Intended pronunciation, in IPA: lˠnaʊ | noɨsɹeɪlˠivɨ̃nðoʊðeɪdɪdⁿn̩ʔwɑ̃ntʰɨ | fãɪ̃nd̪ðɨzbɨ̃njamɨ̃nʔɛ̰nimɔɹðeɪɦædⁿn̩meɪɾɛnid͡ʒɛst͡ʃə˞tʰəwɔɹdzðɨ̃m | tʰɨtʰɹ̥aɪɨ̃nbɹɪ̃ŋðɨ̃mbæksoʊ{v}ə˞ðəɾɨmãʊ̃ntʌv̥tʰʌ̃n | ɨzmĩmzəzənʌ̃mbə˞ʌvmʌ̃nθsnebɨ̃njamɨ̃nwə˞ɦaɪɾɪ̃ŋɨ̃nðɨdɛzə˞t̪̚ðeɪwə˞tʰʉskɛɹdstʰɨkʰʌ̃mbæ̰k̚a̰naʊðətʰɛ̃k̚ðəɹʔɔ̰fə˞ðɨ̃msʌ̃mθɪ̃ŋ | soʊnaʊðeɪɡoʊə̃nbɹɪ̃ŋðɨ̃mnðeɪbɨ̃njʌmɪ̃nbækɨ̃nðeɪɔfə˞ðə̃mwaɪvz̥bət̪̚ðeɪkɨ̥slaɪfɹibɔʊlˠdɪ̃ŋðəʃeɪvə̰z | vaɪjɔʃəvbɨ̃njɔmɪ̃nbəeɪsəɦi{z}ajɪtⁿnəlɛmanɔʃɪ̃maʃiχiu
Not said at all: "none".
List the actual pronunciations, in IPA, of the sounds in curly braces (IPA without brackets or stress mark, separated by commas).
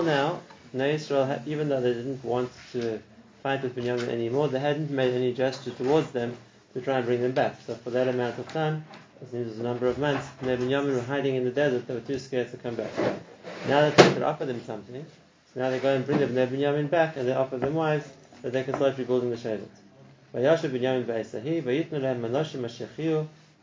f, v